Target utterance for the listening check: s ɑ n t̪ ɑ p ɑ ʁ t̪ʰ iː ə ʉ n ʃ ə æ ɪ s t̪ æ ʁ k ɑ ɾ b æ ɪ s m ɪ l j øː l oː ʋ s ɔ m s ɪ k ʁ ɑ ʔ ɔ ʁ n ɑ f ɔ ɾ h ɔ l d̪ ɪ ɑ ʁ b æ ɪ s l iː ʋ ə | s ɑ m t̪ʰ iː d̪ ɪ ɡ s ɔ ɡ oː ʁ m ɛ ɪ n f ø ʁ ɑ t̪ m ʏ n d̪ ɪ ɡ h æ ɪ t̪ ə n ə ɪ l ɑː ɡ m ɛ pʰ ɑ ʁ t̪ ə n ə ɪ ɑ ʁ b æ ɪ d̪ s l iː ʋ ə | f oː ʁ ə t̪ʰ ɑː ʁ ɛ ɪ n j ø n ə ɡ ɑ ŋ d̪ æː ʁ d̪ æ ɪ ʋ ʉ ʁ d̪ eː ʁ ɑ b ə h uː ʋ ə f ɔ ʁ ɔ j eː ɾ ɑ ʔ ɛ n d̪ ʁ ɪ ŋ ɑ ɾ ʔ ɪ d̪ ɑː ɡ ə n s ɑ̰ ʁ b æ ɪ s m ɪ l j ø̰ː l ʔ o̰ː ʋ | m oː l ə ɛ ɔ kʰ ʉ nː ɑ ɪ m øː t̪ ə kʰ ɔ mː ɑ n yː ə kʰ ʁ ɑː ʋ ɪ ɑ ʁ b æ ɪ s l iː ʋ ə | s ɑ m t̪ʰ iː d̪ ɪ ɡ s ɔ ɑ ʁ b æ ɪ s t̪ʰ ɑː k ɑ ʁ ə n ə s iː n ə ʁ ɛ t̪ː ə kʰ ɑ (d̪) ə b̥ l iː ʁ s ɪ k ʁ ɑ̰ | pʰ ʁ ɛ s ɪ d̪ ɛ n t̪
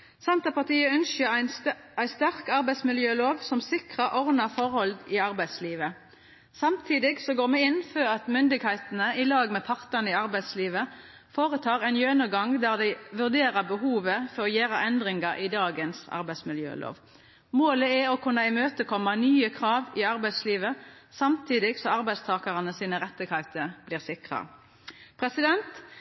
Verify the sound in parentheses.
incorrect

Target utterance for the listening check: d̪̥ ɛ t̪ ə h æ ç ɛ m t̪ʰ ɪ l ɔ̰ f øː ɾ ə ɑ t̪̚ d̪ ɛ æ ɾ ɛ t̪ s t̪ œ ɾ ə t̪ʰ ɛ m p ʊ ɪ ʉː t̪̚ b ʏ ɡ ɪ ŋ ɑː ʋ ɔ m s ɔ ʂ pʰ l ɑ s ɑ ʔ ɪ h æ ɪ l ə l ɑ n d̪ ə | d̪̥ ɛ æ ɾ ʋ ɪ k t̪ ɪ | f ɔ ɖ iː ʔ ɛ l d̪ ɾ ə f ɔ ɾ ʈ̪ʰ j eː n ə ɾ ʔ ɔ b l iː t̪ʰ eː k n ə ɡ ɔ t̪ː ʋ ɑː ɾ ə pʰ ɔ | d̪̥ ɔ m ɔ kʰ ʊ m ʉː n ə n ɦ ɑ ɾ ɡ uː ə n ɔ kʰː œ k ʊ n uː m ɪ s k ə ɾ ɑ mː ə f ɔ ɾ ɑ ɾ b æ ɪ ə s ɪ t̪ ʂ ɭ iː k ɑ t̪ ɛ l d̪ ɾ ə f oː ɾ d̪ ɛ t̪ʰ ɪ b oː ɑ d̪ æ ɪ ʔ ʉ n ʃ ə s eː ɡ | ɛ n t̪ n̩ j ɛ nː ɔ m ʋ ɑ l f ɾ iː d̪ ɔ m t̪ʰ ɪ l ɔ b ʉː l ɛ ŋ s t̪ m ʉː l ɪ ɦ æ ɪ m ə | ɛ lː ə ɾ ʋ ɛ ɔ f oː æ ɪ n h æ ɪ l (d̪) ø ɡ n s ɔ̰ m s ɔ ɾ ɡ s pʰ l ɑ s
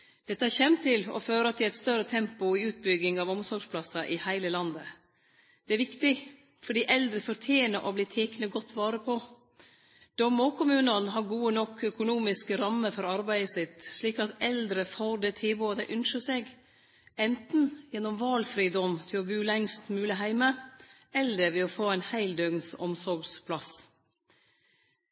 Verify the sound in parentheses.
correct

